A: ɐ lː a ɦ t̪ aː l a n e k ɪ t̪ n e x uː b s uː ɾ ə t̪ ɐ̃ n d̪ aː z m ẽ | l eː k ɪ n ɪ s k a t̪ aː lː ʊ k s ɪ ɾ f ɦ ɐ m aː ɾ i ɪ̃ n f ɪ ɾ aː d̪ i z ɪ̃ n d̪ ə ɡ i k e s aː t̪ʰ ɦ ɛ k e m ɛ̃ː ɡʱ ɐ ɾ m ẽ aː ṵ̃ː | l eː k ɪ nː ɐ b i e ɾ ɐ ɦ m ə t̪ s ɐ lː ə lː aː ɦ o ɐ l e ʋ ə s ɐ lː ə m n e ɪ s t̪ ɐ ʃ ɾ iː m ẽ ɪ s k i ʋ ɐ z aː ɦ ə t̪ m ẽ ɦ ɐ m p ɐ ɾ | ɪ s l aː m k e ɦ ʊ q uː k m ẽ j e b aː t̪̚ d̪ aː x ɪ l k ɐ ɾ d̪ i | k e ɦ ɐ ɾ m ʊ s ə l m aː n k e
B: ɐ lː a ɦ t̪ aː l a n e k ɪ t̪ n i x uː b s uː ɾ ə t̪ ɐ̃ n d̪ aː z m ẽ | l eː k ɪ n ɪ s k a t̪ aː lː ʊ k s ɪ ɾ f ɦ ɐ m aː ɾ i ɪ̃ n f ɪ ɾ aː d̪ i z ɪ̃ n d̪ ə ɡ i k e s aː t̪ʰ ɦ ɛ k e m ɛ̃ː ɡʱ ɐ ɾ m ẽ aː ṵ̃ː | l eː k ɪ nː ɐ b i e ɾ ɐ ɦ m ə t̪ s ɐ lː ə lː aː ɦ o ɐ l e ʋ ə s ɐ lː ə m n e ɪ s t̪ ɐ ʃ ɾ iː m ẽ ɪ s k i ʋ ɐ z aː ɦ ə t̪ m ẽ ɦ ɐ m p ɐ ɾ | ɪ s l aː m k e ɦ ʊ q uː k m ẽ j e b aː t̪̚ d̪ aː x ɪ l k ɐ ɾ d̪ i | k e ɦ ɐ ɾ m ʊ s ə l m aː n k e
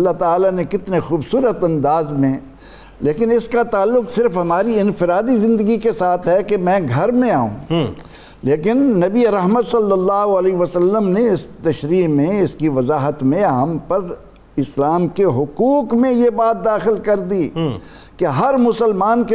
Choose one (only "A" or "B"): A